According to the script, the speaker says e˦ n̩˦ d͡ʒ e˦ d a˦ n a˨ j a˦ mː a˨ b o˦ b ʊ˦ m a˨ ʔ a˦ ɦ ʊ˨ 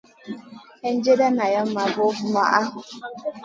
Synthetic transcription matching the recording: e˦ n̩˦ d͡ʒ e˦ d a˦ n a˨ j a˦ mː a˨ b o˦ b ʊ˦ m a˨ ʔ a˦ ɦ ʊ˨